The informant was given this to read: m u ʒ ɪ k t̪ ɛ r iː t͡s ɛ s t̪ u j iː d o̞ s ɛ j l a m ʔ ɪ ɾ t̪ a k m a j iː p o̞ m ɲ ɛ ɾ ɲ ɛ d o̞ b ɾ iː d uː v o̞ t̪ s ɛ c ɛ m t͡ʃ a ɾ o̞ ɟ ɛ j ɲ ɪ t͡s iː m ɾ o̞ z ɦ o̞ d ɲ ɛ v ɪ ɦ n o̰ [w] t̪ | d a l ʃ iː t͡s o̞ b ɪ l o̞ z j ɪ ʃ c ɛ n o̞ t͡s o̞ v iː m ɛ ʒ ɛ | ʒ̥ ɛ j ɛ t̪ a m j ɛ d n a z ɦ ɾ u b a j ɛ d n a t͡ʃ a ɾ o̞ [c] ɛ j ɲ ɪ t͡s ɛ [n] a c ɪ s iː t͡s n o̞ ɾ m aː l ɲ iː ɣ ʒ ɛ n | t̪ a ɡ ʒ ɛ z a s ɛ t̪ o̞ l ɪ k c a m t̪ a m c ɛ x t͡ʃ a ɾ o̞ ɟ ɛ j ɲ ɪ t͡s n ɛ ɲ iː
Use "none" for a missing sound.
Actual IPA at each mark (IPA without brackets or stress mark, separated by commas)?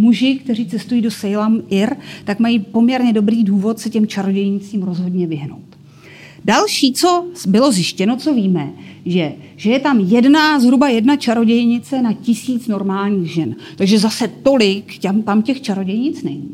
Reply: w, ɟ, n